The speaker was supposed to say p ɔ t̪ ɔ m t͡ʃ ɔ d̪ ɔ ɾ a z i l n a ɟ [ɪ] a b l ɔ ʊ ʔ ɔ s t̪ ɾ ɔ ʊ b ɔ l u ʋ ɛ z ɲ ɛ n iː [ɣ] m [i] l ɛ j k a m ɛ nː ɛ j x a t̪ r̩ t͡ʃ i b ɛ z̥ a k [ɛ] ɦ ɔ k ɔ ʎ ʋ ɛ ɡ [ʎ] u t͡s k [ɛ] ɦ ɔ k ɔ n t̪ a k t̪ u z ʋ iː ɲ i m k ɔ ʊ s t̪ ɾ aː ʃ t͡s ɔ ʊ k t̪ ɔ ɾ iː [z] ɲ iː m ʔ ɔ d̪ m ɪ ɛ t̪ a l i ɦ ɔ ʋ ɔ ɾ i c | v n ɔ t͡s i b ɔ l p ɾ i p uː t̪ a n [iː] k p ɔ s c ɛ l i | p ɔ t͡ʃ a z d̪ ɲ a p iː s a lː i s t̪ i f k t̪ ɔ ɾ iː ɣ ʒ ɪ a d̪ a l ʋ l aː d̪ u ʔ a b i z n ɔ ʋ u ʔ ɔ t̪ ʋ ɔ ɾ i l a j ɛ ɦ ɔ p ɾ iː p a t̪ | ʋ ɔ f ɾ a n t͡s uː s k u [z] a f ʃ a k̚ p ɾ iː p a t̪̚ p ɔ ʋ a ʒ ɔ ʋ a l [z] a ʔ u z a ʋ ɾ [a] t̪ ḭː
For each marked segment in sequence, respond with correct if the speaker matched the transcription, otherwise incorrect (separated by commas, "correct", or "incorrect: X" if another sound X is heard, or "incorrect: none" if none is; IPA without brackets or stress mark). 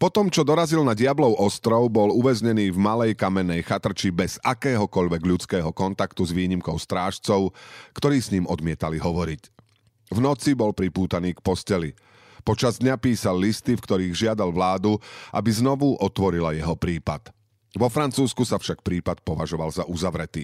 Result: correct, incorrect: v, incorrect: a, incorrect: ɛː, correct, incorrect: ɛː, incorrect: s, correct, incorrect: s, correct, incorrect: ɛ